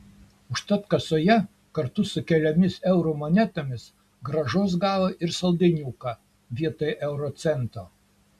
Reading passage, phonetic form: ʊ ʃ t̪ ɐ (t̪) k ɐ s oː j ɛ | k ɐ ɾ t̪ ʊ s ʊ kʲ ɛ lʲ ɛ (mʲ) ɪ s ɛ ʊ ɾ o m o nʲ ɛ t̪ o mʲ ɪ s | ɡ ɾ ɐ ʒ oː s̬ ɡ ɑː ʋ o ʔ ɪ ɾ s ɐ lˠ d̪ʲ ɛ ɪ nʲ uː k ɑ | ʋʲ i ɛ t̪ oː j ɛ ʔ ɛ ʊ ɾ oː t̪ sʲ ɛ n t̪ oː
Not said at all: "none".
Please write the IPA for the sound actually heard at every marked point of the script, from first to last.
t̪, mʲ

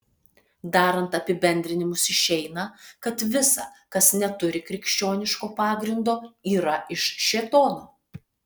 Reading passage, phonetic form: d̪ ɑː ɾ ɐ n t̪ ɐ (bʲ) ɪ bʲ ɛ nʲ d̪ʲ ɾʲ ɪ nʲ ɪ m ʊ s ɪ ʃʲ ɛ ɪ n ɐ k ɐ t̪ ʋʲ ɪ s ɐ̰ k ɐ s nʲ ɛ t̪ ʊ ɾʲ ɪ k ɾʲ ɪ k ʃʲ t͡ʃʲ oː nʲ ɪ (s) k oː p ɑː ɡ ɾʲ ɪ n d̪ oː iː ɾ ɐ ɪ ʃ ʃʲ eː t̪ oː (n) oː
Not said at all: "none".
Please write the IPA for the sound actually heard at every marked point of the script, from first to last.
pʲ, ʃ, n

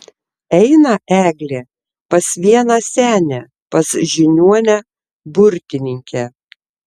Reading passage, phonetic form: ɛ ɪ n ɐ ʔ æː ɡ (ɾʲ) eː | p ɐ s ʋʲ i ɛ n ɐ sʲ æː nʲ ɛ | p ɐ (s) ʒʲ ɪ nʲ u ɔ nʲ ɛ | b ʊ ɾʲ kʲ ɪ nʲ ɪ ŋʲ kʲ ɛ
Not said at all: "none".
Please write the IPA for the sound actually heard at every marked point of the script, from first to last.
lʲ, s

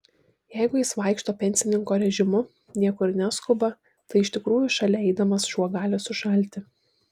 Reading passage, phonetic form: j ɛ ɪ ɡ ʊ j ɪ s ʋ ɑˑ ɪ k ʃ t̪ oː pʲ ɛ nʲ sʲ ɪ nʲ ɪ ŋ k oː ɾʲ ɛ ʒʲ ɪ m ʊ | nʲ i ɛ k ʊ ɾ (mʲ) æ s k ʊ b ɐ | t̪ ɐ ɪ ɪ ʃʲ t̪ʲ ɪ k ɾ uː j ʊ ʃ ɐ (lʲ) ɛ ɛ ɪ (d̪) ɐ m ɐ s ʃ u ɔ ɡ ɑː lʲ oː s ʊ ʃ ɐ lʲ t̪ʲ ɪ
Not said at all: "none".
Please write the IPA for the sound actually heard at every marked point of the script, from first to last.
nʲ, lʲ, d̪

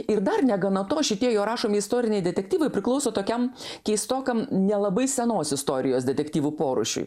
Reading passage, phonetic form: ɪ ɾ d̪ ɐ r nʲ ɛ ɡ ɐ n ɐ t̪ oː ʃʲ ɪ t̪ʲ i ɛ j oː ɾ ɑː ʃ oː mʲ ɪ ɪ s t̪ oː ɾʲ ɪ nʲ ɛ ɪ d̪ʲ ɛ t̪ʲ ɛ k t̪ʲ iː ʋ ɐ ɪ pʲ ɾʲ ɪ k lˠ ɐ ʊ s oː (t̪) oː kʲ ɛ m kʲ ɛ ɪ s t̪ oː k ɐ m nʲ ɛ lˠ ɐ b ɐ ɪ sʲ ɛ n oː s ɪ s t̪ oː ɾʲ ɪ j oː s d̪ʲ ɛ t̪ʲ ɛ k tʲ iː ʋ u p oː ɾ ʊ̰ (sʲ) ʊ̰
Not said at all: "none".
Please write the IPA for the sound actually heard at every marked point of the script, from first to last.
t̪, ʃʲ

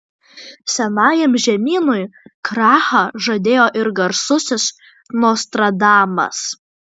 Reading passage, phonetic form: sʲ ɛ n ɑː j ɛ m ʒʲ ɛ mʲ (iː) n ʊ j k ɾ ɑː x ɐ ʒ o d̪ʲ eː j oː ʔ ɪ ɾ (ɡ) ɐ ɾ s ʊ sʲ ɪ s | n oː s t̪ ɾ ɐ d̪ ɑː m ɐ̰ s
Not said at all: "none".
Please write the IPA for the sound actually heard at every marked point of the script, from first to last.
iː, ɡ

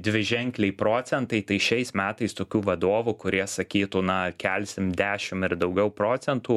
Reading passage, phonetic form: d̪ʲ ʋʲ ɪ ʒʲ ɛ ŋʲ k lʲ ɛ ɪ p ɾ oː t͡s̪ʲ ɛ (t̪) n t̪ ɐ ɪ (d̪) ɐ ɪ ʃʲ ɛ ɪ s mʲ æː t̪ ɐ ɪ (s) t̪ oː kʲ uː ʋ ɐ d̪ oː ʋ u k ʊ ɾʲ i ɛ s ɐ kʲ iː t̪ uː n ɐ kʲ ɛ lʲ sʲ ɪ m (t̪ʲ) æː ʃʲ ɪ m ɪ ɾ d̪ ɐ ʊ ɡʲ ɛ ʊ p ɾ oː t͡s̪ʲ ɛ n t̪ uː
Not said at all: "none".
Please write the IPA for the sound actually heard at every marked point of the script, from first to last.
none, t̪, s, d̪ʲ

